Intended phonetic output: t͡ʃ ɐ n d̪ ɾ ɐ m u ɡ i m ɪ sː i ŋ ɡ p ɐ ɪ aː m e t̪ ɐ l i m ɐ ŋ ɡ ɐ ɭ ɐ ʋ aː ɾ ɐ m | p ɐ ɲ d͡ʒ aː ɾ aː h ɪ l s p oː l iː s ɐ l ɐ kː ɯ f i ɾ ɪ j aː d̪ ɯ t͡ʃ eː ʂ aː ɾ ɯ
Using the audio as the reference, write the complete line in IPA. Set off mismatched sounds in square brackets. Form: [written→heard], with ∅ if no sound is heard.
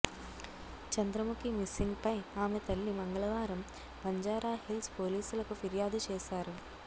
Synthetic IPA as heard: t͡ʃ ɐ n d̪ ɾ ɐ m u [ɡ→k] i m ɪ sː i ŋ ɡ p ɐ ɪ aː m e t̪ ɐ [l→lː] i m ɐ ŋ ɡ ɐ ɭ ɐ ʋ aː ɾ ɐ m | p ɐ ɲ d͡ʒ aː ɾ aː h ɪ l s p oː l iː s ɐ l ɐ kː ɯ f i ɾ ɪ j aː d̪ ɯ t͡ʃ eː [ʂ→s] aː ɾ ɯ